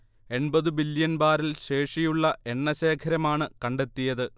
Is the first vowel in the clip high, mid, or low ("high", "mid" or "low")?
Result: mid